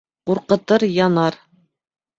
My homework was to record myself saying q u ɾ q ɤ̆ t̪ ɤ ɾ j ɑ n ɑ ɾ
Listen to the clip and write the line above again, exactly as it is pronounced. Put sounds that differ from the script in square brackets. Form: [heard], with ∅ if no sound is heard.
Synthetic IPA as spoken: q u ɾ q ɤ̆ t̪ ɤ ɾ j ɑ n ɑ ɾ